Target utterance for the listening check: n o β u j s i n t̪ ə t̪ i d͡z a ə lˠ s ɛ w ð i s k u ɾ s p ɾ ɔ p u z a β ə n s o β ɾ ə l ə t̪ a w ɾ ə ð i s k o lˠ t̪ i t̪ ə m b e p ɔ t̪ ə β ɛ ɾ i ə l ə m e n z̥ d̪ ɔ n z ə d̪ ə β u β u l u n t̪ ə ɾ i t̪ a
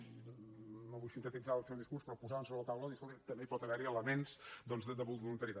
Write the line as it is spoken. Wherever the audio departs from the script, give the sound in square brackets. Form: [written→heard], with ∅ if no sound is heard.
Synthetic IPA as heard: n o β u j s i n t̪ ə t̪ i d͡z a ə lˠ s ɛ w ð i s k u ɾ s p ɾ ɔ p u z a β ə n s o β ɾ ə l ə t̪ a w [ɾ→l] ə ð i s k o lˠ t̪ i t̪ ə m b e p ɔ t̪ ə β ɛ ɾ i ə l ə m e n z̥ d̪ ɔ n z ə d̪ ə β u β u l u n t̪ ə ɾ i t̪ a